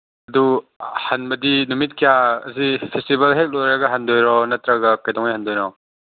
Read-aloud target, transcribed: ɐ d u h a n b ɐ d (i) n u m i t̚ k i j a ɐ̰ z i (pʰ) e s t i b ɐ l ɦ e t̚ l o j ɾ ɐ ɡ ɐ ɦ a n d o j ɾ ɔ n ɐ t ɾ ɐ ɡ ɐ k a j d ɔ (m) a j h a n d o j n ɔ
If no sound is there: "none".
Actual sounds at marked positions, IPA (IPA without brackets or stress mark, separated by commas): i, pʰ, ŋ